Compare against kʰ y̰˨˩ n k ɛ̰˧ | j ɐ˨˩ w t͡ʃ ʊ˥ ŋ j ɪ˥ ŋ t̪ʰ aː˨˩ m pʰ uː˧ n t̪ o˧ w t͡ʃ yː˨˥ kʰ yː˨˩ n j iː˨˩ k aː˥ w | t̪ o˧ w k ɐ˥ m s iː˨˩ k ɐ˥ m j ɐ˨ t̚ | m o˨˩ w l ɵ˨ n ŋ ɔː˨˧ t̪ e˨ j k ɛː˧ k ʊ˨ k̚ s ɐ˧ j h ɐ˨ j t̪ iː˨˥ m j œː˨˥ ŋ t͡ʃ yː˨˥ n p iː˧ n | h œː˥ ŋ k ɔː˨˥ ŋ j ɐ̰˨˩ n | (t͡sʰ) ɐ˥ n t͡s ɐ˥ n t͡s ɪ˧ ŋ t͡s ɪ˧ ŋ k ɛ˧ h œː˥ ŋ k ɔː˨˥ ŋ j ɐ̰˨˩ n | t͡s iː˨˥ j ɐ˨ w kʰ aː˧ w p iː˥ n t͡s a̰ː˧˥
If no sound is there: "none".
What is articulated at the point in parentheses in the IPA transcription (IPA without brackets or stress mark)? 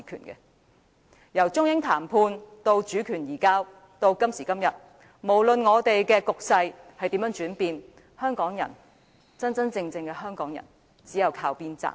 t͡s